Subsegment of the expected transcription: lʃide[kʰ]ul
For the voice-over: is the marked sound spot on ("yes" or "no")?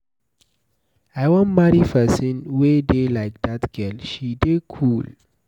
yes